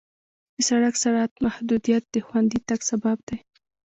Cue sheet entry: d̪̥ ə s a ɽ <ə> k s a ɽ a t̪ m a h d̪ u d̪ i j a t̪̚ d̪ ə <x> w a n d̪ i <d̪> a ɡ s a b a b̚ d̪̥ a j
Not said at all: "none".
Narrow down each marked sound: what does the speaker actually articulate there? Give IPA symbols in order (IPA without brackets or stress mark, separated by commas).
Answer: a, x, t̪